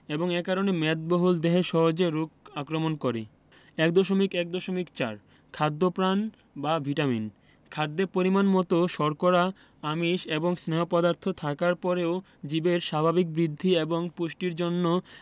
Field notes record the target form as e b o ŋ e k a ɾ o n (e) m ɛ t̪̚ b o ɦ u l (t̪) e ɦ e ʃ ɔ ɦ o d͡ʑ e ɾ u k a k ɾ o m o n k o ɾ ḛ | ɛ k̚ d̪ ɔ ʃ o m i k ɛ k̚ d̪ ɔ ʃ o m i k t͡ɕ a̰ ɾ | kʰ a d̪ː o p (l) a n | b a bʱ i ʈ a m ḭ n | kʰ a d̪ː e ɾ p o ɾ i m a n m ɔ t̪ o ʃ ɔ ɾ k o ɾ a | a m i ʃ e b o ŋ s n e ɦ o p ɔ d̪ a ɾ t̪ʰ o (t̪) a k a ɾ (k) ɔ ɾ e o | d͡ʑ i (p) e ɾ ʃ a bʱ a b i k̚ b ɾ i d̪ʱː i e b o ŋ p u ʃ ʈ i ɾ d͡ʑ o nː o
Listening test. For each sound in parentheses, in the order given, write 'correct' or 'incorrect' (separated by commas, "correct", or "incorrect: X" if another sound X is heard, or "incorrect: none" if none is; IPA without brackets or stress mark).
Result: correct, incorrect: d̪, incorrect: ɾ, incorrect: t̪ʰ, incorrect: p, incorrect: b